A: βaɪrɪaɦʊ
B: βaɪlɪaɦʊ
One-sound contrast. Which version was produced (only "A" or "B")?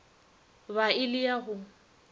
B